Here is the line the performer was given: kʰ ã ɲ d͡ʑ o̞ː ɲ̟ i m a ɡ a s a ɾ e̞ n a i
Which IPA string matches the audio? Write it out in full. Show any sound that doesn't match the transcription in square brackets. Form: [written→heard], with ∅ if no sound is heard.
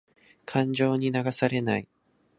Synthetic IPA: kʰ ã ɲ d͡ʑ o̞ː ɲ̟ i [m→n] a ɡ a s a ɾ e̞ n a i